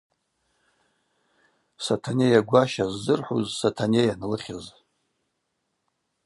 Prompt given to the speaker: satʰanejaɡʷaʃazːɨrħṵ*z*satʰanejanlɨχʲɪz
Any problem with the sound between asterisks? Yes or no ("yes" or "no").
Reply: no